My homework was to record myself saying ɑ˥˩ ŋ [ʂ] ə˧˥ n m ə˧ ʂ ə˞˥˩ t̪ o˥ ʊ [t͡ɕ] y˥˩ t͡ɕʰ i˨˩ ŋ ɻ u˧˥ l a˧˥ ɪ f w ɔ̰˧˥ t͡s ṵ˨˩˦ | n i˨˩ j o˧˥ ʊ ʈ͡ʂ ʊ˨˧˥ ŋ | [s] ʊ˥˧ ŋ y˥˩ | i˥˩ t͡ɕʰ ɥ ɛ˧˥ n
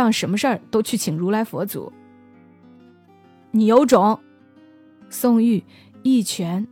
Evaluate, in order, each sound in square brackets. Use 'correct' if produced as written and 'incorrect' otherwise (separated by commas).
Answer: correct, incorrect, correct